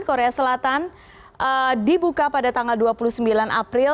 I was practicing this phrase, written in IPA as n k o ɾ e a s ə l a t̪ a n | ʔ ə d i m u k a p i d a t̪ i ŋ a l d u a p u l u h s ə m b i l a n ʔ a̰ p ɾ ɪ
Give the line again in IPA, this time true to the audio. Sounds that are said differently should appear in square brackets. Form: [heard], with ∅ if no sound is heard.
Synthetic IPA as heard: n k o ɾ e a s ə l a t̪ a n | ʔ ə d i [b] u k a p [a] d a t̪ [a] ŋ a l d u a p u l u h s ə m b i l a n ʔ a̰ p ɾ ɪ